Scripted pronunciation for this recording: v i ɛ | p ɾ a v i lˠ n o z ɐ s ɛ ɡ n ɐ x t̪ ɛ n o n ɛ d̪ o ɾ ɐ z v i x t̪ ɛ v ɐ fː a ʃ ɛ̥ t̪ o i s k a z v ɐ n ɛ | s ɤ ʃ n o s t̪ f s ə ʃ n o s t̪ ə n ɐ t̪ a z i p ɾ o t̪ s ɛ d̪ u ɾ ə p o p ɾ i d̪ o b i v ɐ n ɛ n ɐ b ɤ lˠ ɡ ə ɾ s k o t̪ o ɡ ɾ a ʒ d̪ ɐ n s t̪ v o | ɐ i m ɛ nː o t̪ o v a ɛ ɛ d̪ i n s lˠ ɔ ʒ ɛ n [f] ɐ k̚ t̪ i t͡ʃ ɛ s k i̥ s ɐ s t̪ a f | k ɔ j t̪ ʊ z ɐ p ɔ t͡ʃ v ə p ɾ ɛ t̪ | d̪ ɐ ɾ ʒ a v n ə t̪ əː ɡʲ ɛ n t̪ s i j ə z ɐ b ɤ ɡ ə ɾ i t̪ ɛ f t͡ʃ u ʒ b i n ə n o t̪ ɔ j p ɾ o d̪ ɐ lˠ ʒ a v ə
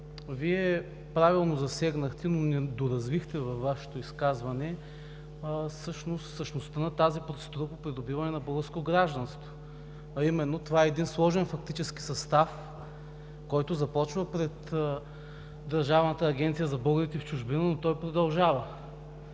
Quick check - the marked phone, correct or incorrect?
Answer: correct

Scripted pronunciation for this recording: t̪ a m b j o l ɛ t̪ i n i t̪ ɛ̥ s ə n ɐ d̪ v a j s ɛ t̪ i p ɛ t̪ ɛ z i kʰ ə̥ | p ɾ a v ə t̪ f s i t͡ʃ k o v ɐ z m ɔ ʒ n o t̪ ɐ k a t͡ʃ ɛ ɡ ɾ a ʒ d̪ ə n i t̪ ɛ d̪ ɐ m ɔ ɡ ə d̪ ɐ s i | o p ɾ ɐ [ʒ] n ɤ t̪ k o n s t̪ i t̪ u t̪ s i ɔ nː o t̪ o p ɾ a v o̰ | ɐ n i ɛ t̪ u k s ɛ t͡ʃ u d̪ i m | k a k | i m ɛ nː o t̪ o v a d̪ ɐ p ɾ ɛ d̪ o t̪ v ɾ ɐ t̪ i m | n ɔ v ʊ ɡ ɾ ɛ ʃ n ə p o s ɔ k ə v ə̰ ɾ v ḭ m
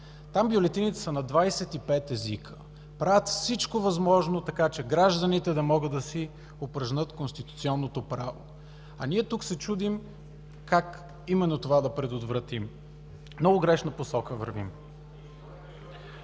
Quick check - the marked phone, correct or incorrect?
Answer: correct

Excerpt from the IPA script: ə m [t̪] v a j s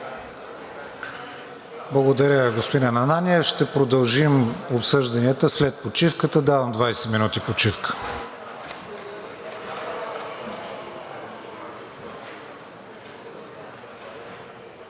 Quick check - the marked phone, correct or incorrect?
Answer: incorrect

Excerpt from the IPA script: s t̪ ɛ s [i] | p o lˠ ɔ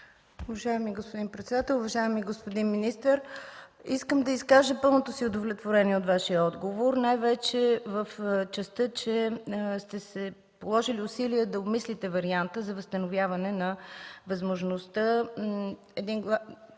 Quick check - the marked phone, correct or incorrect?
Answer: incorrect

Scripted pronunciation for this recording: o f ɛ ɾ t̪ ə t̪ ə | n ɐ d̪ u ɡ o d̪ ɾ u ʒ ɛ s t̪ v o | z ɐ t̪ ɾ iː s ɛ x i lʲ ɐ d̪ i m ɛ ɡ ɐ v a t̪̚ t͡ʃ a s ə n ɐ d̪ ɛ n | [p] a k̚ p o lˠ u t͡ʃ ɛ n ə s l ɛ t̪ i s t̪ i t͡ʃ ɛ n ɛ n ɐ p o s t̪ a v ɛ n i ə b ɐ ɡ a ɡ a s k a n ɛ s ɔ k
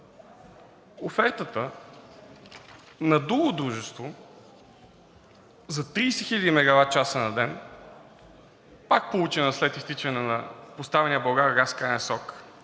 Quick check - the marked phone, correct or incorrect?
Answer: correct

